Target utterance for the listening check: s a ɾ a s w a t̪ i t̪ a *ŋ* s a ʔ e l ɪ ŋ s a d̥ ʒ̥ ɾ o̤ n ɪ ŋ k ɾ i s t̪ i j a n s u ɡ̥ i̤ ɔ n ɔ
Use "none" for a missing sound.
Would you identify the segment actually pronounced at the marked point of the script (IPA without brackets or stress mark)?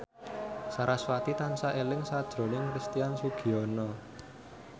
n